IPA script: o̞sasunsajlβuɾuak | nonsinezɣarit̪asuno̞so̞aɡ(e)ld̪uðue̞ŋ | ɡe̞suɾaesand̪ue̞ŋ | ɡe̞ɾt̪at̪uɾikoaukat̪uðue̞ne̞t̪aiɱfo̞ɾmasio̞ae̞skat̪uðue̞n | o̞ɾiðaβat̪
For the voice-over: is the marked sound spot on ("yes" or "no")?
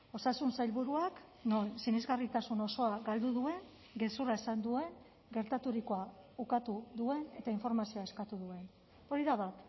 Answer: no